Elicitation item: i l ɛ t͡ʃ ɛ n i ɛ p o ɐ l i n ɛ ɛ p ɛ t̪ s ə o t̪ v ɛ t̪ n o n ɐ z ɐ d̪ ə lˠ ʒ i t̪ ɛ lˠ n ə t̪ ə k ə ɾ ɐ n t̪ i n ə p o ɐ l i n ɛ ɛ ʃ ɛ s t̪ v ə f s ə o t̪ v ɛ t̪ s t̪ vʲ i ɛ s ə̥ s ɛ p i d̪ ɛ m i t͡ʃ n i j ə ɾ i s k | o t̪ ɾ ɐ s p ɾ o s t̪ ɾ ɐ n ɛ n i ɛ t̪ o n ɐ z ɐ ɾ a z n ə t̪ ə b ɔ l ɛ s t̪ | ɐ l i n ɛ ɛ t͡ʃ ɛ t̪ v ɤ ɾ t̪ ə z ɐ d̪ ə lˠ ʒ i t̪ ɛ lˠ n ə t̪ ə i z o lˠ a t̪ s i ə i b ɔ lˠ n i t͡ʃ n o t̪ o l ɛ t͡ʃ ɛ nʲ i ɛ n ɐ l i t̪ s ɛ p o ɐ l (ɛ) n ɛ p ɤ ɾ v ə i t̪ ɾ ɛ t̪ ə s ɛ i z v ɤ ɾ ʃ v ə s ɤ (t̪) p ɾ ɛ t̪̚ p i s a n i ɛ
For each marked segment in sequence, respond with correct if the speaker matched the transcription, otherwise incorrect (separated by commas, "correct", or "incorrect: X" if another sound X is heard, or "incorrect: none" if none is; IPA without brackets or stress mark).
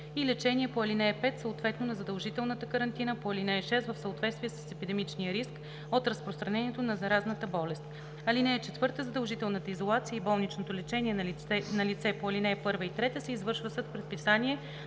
incorrect: i, correct